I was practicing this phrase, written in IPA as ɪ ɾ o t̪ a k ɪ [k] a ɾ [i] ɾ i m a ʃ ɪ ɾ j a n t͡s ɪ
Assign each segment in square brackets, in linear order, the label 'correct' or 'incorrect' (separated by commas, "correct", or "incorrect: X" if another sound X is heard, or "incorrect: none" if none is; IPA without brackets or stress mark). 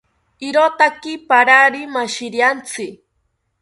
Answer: incorrect: p, incorrect: a